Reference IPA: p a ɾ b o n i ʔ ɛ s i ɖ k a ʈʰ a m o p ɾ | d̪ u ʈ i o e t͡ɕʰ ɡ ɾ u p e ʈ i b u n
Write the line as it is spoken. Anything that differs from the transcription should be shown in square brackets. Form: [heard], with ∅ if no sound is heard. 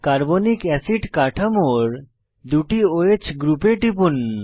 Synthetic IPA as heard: [k] a ɾ b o n i [k] ɛ s i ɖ k a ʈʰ a m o [∅] ɾ | d̪ u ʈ i o e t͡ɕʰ ɡ ɾ u p e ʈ i [p] u n